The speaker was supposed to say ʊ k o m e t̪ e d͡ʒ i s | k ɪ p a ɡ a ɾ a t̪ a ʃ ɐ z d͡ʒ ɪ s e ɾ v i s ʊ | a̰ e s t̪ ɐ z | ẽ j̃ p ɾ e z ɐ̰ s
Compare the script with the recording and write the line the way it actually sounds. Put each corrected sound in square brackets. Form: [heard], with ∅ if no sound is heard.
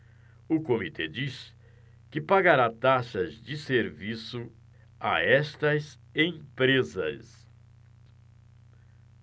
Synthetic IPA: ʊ k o m [i] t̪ e d͡ʒ i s | k ɪ p a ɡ a ɾ a t̪ a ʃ ɐ z d͡ʒ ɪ s e ɾ v i s ʊ | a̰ [ɛ] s t̪ ɐ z | ẽ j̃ p ɾ e z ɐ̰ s